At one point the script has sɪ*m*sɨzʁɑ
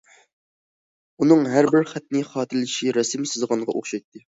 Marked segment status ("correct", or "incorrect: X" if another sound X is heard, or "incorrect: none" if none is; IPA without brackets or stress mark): correct